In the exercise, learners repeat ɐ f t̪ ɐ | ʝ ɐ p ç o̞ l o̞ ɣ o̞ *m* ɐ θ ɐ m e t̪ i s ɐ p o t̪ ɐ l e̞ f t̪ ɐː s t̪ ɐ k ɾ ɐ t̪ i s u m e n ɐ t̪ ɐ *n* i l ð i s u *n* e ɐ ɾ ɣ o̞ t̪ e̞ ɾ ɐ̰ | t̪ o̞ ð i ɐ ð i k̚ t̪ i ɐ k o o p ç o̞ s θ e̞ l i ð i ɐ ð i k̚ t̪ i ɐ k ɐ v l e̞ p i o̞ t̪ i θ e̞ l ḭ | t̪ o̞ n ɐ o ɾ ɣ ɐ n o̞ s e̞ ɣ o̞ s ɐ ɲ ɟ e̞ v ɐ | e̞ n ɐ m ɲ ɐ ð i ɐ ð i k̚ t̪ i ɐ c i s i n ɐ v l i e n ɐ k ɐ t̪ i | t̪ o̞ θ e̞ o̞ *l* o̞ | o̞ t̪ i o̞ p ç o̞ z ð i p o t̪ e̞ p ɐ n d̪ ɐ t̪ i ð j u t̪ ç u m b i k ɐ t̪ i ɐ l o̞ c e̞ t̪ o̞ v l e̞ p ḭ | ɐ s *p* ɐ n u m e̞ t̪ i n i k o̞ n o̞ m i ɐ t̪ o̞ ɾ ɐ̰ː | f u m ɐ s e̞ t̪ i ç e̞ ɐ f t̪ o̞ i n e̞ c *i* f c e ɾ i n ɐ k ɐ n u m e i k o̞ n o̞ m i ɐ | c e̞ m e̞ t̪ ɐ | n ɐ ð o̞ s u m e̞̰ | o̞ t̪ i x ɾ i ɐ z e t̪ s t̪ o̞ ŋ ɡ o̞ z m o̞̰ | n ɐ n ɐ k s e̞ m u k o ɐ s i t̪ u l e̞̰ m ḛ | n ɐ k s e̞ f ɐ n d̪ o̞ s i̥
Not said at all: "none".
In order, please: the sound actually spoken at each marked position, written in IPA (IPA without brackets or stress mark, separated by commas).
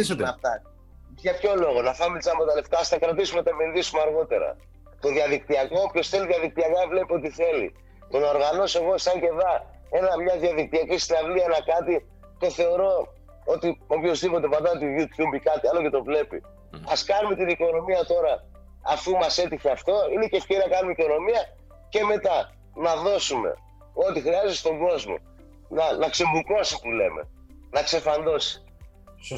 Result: n, m, m, ɾ, k, e